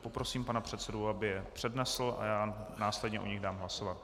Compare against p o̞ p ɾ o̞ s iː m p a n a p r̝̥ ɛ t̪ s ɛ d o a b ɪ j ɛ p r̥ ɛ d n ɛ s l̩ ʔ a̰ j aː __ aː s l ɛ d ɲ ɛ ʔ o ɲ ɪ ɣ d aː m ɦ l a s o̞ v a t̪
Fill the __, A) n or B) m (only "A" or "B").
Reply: A